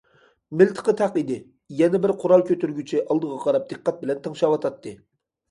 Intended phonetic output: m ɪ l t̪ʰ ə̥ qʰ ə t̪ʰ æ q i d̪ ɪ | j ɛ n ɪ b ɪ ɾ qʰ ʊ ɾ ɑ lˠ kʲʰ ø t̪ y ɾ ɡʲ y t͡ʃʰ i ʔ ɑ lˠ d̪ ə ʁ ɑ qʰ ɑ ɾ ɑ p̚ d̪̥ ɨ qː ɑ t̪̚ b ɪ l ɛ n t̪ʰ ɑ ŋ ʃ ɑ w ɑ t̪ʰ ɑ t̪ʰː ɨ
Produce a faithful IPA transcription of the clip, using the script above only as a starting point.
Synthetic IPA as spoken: m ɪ l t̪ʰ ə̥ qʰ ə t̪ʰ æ q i d̪ ɪ | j ɛ n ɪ b ɪ ɾ qʰ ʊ ɾ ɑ lˠ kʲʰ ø t̪ y ɾ ɡʲ y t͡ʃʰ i ʔ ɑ lˠ d̪ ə ʁ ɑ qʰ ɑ ɾ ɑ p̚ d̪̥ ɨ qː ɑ t̪̚ b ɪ l ɛ n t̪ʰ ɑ ŋ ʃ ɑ w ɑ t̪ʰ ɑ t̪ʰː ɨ